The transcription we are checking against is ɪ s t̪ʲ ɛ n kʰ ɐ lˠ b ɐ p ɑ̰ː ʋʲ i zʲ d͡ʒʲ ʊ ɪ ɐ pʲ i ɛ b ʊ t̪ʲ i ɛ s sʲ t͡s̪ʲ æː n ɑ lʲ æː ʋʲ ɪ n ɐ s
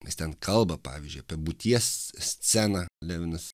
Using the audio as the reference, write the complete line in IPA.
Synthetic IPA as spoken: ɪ s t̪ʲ ɛ n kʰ ɐ lˠ b ɐ p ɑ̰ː ʋʲ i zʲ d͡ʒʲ ʊ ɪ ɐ pʲ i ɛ b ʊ t̪ʲ i ɛ s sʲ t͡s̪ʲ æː n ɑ lʲ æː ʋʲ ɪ n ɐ s